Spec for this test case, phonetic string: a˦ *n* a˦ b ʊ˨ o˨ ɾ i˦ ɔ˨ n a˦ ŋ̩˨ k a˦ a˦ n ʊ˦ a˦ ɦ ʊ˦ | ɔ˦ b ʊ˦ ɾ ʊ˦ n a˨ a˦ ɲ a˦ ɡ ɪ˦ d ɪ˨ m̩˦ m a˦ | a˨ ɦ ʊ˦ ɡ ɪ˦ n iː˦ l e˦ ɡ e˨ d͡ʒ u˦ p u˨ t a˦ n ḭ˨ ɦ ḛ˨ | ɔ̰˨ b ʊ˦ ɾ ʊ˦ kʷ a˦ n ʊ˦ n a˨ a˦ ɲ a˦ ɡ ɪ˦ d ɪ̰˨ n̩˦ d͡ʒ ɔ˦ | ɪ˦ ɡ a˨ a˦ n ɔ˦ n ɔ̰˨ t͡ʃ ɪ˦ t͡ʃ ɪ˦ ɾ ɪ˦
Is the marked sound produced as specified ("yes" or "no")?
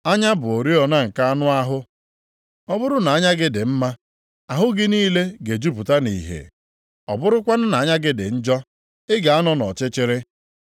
no